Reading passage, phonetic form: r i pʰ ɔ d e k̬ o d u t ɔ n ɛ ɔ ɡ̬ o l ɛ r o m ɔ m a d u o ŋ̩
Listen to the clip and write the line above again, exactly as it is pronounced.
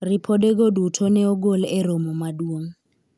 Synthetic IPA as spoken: r i pʰ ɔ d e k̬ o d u tʰ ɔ n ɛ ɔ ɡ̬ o l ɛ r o m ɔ m a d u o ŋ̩